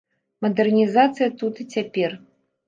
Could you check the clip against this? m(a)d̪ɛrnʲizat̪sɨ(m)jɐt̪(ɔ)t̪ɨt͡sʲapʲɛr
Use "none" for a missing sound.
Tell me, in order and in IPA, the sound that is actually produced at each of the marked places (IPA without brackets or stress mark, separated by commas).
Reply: ɐ, none, u